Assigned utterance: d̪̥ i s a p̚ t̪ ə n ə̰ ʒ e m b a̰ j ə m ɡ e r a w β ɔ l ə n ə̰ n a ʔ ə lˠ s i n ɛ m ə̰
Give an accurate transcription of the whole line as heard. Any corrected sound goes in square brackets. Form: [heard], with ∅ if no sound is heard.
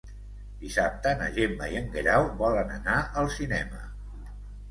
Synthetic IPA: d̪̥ i s a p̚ t̪ ə n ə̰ ʒ e m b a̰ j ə [ŋ] ɡ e [ɾ] a w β ɔ l ə n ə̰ n a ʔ ə lˠ s i n ɛ m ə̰